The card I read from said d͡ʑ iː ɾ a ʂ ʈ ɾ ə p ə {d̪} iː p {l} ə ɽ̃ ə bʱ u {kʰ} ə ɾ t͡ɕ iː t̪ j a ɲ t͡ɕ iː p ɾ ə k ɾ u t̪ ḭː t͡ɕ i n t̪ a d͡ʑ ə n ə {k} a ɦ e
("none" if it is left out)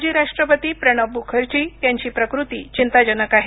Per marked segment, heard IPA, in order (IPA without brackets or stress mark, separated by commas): t̪, ɾ, kʰ, k